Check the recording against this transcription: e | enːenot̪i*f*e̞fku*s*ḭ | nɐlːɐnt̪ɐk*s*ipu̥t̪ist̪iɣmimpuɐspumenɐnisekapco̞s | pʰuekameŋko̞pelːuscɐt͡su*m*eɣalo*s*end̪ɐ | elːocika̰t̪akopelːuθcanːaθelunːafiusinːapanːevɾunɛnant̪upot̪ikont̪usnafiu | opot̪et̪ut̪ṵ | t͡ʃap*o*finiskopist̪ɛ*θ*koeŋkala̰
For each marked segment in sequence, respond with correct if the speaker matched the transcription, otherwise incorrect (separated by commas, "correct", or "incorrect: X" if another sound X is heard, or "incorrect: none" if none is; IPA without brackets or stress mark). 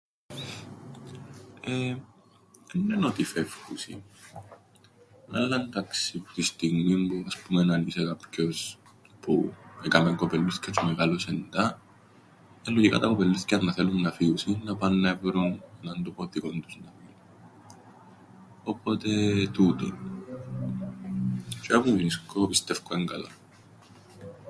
correct, correct, correct, correct, correct, incorrect: u, incorrect: f